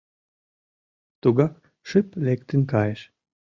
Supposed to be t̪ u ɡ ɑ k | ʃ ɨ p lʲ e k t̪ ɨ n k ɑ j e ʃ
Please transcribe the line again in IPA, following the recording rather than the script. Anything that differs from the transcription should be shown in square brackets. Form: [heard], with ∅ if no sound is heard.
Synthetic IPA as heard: t̪ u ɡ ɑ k | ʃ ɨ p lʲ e k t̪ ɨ n k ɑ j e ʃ